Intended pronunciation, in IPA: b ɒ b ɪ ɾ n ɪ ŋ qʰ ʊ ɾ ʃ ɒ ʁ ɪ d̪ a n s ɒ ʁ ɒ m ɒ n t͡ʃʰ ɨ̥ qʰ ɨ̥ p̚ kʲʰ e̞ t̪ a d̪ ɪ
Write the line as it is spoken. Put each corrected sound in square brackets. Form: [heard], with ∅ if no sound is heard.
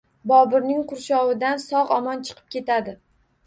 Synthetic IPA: b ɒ b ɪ ɾ n ɪ ŋ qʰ ʊ ɾ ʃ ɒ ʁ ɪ d̪ a n s ɒ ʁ ɒ m ɒ n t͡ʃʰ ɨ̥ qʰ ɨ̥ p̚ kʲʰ e̞ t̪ a d̪ ɪ